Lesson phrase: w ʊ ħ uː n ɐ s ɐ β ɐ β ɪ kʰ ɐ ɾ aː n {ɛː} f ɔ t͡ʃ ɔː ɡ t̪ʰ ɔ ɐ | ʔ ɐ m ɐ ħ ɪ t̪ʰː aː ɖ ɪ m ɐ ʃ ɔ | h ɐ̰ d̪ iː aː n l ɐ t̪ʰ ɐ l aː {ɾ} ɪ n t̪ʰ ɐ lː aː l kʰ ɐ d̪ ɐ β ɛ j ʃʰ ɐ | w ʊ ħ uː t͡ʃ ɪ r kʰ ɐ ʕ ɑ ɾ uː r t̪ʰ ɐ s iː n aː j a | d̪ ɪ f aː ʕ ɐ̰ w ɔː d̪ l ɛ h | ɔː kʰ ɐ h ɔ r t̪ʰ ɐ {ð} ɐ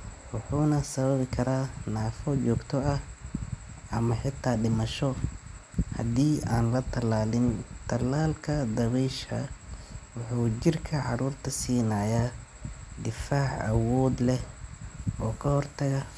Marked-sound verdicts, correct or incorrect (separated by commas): incorrect, incorrect, incorrect